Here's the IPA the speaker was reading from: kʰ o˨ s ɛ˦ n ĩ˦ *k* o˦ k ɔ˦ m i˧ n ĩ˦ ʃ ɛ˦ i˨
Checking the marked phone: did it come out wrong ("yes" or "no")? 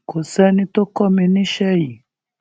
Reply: yes